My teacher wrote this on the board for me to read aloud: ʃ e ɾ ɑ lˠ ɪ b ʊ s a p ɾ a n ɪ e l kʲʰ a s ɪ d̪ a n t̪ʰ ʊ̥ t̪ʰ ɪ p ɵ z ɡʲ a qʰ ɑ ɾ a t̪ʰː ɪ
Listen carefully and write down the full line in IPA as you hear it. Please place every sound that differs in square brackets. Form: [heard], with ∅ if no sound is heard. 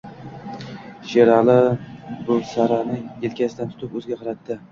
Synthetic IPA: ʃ e ɾ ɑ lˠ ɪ b ʊ s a [∅] ɾ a n ɪ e l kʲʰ a s ɪ d̪ a n t̪ʰ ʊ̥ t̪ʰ ɪ p ɵ z ɡʲ a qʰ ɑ ɾ a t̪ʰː ɪ